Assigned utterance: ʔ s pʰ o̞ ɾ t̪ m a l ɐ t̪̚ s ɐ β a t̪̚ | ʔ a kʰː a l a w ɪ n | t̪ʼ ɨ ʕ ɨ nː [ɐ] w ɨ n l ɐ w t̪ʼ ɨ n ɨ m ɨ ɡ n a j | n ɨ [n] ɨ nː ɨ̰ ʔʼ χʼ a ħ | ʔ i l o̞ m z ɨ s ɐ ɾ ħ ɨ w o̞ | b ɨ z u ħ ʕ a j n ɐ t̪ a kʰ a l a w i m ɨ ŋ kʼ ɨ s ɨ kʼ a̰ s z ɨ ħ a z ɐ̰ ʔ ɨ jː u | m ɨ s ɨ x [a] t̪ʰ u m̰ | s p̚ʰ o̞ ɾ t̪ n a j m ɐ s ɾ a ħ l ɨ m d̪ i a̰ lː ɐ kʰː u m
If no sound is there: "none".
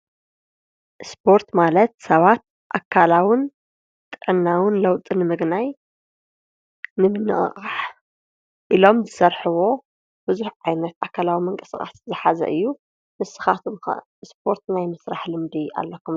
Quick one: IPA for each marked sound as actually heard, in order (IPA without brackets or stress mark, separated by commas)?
a, m, a